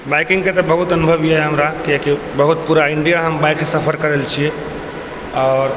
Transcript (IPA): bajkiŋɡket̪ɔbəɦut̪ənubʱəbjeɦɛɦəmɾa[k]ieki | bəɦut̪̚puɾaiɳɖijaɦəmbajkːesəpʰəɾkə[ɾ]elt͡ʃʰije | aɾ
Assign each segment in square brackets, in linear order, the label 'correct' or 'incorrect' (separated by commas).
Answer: correct, correct